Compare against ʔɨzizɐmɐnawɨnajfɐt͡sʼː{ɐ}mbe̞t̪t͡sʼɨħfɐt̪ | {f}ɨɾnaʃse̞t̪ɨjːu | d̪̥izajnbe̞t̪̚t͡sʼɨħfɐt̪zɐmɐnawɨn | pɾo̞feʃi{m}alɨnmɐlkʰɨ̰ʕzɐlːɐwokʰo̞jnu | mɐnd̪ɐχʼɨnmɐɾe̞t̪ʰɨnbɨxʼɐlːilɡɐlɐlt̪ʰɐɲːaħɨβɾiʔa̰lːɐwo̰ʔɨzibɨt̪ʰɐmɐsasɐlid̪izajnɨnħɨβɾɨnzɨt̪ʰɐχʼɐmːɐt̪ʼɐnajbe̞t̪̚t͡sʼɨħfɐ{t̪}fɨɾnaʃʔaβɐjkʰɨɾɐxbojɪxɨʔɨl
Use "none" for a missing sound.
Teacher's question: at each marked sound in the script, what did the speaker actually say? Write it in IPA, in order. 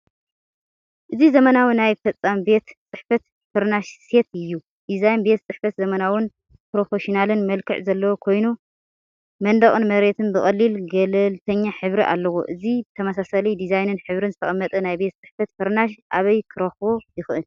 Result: a, f, n, t̪

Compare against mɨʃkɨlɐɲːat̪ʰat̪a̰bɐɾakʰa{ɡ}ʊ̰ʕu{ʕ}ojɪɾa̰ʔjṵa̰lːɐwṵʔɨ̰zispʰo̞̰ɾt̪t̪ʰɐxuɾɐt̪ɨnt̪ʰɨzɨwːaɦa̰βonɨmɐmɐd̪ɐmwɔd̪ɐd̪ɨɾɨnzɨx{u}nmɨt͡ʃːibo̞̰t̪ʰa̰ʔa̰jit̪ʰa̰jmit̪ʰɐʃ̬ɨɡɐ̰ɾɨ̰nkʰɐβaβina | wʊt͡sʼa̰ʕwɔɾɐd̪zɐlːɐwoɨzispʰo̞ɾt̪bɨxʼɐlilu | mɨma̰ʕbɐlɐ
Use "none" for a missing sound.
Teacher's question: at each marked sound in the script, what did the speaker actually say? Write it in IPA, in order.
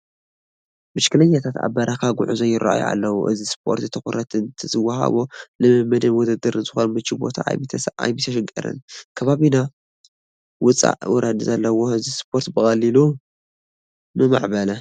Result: ɡ, z, o

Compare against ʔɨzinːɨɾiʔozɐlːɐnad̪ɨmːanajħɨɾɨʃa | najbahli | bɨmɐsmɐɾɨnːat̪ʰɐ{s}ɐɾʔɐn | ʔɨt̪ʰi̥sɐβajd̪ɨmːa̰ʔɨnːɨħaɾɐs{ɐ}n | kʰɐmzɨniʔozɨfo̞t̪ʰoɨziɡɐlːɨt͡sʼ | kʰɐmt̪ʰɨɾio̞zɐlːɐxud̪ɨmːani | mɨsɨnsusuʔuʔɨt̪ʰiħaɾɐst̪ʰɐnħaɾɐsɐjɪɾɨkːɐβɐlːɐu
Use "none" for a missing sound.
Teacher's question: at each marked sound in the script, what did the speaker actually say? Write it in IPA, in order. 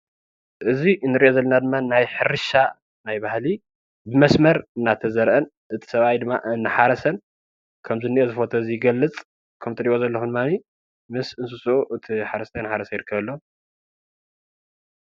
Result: z, ɐ

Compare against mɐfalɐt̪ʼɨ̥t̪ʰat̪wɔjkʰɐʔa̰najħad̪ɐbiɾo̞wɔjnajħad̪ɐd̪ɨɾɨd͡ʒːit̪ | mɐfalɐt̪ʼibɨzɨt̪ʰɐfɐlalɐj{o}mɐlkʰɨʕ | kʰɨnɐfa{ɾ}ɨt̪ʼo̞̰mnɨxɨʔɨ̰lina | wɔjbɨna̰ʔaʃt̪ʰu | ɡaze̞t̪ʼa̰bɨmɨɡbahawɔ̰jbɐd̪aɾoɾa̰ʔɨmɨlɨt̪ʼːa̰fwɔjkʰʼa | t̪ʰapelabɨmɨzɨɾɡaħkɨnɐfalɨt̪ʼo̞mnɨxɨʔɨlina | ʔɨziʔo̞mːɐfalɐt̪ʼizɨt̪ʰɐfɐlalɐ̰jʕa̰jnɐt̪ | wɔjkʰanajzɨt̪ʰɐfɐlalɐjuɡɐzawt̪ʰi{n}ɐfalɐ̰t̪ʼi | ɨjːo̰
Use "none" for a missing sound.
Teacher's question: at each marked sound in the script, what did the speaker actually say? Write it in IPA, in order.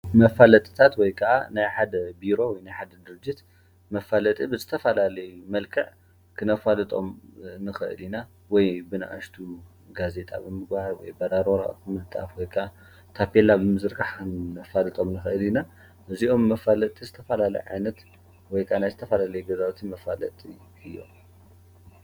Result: u, l, m

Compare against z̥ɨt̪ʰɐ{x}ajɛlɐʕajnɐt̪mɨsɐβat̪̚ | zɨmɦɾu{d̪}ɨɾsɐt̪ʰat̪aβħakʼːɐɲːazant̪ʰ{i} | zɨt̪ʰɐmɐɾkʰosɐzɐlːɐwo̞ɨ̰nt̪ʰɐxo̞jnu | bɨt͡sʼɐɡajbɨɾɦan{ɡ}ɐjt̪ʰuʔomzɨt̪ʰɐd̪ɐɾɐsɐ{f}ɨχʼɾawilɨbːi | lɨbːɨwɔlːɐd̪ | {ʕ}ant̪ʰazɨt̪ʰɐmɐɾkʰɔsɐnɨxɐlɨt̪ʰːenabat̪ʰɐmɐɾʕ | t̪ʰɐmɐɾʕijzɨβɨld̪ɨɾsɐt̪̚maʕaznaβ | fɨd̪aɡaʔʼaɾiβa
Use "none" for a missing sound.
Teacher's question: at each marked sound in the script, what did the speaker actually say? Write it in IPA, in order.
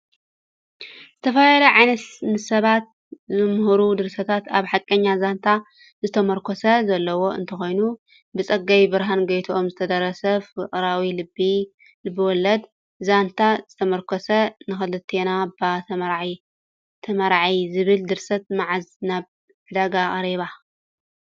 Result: f, d̪, a, ɡ, f, z

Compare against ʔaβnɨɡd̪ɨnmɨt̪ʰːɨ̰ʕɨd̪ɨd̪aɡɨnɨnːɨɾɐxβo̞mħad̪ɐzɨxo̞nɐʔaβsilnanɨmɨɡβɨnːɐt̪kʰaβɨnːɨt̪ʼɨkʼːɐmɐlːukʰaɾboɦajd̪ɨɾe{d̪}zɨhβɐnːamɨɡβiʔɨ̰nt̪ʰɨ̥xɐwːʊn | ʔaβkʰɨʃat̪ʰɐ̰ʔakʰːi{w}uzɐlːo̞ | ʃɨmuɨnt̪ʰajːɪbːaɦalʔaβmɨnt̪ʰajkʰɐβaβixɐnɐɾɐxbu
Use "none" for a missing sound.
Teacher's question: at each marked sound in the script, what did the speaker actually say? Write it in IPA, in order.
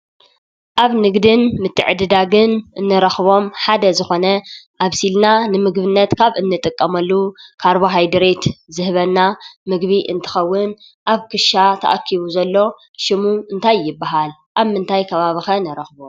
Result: t̪, β

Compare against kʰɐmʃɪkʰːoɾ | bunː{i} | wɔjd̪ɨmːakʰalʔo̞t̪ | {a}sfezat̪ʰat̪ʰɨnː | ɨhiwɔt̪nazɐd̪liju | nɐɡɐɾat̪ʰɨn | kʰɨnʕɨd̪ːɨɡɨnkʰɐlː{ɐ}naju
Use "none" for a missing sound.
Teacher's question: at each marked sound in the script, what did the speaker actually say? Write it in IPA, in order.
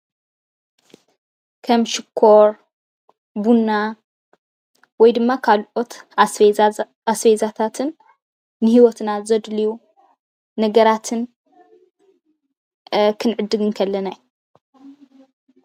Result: a, a, ɐ

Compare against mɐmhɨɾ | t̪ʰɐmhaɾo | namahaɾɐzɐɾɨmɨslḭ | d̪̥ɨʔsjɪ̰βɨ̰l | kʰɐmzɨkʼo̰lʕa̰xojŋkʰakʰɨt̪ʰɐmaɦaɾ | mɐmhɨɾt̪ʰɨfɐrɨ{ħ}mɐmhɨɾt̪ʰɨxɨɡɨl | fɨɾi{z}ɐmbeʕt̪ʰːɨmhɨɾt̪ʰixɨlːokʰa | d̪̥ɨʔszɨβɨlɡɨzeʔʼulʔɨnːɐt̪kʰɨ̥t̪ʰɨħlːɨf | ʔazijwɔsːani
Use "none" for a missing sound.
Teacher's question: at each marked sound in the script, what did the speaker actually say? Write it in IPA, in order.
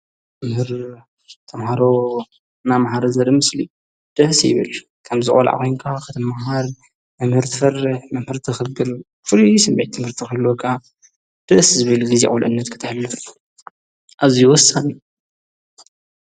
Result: ħ, s

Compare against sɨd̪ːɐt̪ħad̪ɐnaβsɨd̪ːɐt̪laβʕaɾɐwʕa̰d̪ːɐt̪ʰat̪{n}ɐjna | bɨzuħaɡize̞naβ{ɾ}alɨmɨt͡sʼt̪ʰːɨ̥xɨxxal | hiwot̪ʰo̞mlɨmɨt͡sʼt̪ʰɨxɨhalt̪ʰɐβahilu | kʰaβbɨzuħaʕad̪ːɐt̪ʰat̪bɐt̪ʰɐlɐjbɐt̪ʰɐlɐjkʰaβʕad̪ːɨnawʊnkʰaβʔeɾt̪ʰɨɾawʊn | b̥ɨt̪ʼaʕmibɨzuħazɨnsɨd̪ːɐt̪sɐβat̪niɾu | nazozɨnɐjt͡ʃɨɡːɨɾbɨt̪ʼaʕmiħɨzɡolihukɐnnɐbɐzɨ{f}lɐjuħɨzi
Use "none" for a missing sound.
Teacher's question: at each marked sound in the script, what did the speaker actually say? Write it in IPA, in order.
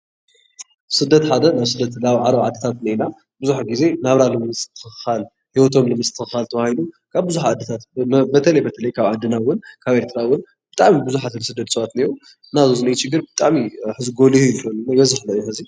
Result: n, ɾ, ħ

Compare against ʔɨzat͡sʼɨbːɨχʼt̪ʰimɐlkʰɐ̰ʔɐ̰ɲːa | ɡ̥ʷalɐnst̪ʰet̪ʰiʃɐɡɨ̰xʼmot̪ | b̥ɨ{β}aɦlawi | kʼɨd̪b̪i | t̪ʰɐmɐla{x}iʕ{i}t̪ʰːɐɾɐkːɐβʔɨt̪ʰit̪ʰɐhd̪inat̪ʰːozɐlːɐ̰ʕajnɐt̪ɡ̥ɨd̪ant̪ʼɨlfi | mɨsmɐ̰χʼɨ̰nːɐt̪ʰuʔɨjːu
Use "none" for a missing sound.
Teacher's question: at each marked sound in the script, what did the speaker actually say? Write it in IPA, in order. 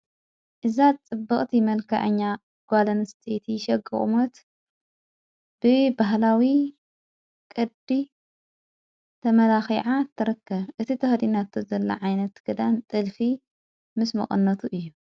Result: b, x, a

